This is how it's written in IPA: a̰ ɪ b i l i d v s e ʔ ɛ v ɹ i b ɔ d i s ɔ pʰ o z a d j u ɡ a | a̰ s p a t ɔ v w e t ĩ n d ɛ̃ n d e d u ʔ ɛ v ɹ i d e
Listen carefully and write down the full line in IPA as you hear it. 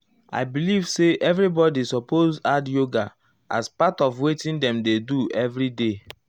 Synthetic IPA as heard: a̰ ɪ b i l i v s e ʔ ɛ v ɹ i b ɔ d i s ɔ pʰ o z a d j o ɡ a | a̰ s p a t ɔ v w e t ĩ n d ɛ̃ m d e d u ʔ ɛ v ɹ i d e